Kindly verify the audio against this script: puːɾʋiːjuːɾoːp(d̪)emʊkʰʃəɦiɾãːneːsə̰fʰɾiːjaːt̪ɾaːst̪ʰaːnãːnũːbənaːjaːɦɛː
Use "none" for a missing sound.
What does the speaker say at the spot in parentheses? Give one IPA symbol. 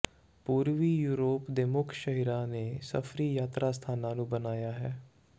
d̪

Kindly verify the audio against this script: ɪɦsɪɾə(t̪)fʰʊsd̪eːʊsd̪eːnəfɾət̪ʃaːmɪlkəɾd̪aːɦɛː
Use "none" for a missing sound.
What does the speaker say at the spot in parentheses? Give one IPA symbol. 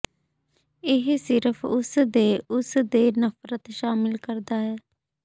none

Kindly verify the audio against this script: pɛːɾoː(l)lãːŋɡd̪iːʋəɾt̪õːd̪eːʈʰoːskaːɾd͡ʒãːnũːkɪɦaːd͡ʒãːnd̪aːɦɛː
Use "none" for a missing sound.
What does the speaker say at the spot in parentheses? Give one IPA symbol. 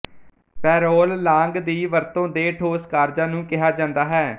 l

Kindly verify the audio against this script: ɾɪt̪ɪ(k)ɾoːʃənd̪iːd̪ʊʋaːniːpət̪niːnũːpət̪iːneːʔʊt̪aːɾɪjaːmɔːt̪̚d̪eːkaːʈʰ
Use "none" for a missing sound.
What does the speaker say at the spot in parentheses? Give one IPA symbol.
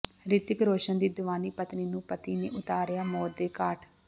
k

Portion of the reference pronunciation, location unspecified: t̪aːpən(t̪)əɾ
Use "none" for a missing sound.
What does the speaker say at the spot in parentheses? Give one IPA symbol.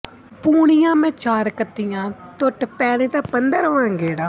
d̪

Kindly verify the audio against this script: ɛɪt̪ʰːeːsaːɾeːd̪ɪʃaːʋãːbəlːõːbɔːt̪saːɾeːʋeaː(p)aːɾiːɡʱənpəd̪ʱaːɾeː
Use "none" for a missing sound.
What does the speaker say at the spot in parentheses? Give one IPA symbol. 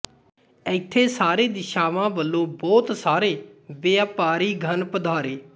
p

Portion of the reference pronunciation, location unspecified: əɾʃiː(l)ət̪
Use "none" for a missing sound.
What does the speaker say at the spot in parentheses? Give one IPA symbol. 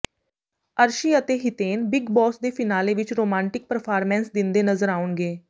none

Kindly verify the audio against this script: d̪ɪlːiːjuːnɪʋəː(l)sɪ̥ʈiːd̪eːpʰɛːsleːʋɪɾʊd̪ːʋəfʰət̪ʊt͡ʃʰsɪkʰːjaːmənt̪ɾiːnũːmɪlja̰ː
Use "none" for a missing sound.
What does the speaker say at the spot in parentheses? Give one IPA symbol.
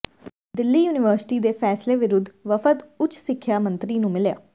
ɾ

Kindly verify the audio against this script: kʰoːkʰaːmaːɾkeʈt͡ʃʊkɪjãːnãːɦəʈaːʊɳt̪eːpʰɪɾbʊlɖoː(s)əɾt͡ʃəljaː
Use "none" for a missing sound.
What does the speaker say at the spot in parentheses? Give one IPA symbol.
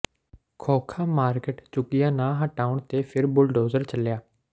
z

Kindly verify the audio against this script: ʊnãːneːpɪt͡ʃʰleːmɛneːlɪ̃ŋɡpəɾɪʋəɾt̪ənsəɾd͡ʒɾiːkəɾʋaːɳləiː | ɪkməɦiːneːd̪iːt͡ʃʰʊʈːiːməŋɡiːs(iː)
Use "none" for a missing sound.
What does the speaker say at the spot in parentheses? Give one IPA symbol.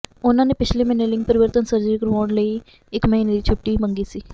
iː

